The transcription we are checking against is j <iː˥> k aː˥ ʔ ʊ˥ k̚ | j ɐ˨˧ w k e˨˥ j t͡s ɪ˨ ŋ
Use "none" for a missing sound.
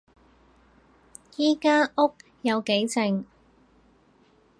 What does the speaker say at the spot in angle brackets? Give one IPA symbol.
iː˥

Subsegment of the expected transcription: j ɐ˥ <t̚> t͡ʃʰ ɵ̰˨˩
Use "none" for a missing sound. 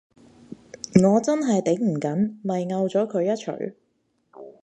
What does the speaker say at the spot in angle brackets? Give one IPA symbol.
t̚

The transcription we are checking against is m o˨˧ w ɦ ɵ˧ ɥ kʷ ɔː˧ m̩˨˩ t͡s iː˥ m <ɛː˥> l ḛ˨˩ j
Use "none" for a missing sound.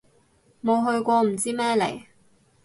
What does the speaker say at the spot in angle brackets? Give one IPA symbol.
ɛː˥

